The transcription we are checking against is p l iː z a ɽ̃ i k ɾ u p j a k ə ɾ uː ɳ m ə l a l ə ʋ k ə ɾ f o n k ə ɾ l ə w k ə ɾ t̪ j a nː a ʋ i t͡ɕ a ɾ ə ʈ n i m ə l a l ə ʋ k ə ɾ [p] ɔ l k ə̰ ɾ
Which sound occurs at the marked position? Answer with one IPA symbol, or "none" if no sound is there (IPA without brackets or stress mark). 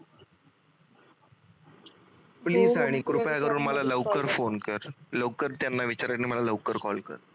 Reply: k